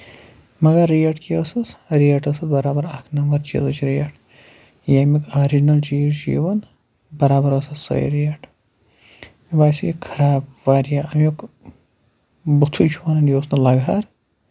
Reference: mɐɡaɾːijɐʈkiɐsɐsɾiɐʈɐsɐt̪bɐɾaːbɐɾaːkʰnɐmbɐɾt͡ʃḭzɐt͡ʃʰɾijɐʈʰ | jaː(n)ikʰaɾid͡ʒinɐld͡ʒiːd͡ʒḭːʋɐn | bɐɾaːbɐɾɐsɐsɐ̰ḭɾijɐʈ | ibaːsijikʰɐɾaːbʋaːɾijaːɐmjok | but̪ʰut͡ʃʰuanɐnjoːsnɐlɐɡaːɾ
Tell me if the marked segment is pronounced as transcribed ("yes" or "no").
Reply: no